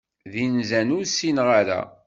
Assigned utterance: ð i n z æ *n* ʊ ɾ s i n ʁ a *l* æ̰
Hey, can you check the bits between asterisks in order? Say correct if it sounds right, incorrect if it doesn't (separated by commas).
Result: correct, incorrect